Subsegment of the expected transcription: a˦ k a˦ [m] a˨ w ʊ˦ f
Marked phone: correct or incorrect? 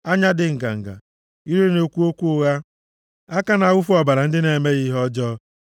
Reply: incorrect